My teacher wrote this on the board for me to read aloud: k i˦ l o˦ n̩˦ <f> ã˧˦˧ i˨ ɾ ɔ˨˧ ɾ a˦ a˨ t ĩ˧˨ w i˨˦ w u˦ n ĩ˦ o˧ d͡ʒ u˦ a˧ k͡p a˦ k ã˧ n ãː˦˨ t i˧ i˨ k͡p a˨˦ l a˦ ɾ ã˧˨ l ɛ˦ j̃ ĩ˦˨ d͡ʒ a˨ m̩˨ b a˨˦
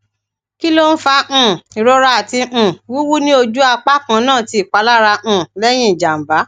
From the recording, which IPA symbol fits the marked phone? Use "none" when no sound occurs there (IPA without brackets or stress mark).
f